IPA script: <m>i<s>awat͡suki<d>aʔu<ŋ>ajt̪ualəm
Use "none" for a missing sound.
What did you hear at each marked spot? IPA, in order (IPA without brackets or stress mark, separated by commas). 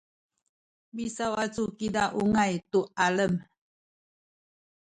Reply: b, s, d, ŋ